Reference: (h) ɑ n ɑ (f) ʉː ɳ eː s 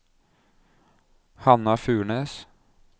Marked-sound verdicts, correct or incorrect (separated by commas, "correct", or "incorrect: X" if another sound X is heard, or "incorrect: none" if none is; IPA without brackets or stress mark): correct, correct